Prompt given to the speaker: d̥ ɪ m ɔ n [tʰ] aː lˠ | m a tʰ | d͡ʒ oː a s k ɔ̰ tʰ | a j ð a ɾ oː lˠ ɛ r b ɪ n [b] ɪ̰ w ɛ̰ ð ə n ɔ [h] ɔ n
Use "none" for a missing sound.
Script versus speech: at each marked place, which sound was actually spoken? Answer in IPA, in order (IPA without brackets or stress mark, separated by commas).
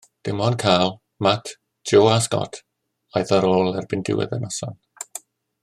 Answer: kʰ, d, s